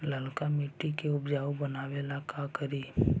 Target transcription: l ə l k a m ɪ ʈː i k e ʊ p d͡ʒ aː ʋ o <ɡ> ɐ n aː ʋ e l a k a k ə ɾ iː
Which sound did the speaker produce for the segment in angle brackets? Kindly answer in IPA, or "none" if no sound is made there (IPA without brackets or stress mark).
b